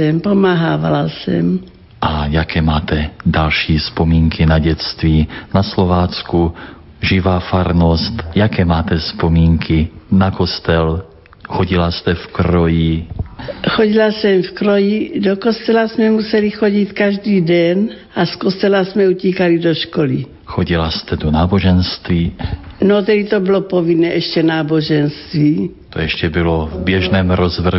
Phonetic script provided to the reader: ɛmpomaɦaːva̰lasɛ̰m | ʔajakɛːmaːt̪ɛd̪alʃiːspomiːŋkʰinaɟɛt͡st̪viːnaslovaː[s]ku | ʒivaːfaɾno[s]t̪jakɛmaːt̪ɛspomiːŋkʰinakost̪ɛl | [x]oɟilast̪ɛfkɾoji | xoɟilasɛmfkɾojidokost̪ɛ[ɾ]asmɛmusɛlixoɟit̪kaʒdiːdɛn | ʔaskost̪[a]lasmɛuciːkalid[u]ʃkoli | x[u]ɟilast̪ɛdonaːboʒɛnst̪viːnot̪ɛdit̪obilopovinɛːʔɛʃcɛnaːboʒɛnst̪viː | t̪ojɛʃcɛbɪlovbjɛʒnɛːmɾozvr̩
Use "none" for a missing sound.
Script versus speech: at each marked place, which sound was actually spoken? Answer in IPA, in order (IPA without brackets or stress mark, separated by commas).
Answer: t͡s, s, x, l, ɛ, o, o